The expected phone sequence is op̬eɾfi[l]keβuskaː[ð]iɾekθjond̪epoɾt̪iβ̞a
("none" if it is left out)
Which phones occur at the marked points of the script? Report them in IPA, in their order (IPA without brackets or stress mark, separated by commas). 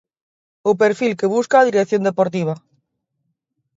l, ð